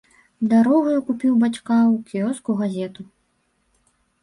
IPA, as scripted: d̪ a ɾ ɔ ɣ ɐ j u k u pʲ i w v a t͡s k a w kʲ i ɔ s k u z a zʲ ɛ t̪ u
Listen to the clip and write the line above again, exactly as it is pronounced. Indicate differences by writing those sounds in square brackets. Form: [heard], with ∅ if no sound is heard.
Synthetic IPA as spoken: d̪ a ɾ ɔ ɣ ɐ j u k u pʲ i w [b] a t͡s k a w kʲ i ɔ s k u [ɣ] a zʲ ɛ t̪ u